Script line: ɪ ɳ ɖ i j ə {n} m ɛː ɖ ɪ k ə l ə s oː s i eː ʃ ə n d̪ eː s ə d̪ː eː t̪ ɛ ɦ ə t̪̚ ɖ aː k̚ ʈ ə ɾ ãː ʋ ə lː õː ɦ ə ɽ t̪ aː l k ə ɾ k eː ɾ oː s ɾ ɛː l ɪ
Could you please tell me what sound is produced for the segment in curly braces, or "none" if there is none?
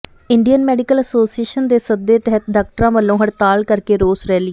n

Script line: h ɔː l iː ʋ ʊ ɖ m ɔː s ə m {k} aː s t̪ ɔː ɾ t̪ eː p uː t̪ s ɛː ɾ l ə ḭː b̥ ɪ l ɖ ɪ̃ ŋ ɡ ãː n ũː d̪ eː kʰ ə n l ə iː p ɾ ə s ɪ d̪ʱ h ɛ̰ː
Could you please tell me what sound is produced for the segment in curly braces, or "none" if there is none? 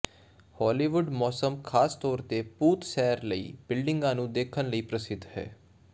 kʰ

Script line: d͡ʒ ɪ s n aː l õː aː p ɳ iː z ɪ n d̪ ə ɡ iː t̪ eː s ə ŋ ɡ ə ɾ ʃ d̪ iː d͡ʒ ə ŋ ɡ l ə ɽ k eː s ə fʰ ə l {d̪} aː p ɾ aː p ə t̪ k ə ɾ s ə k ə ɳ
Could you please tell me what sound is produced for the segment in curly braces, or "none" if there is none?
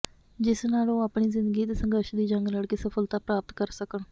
t̪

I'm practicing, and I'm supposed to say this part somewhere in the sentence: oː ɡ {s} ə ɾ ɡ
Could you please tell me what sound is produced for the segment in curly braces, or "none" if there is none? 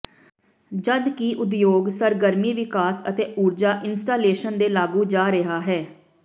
s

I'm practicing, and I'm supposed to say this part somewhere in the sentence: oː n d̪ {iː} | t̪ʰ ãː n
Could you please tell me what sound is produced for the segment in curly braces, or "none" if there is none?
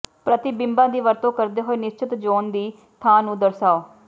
iː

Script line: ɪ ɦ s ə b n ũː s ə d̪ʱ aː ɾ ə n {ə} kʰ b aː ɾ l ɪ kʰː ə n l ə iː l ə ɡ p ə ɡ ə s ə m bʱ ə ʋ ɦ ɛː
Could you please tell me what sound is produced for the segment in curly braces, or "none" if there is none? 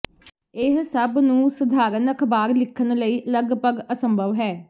ə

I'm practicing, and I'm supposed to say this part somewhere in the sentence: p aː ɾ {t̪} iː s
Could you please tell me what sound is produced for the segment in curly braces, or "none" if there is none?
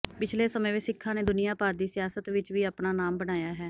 d̪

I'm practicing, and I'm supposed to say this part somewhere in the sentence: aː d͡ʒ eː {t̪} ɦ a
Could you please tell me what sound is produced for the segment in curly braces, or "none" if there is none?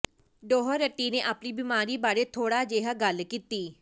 none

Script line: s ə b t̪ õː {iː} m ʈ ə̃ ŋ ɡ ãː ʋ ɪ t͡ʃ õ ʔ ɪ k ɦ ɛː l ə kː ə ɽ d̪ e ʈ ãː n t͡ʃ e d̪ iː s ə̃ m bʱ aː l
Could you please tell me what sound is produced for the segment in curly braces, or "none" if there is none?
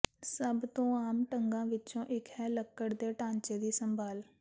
aː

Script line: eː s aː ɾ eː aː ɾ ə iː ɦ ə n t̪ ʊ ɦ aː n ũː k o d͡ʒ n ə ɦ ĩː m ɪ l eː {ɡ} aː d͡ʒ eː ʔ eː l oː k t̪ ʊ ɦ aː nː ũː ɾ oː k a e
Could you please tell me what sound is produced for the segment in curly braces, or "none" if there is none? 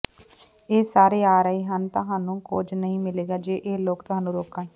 ɡ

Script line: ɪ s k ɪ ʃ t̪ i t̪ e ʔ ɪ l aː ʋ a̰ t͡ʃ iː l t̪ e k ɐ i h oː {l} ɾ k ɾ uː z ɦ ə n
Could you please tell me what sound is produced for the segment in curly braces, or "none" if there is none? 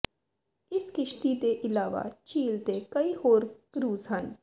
none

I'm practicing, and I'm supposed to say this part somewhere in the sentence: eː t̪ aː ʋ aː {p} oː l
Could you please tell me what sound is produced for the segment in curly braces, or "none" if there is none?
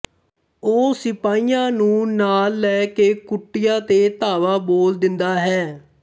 b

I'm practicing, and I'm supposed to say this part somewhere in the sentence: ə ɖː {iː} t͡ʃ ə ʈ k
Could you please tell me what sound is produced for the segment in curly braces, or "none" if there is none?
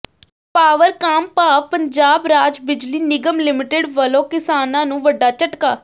aː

